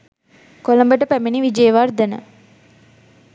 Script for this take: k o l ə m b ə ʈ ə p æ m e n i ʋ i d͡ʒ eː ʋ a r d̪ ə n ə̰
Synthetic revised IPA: k o l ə m b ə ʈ ə p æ m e n i ʋ i d͡ʒ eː ʋ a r d̪ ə n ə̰